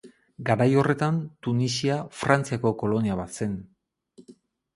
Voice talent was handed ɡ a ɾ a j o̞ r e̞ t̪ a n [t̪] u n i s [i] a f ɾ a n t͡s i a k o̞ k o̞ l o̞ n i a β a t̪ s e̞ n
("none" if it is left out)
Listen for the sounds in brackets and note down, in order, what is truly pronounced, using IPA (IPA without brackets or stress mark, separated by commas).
t̪, i